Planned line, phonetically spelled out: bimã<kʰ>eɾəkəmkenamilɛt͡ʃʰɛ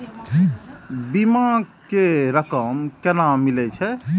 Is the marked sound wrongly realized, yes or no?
yes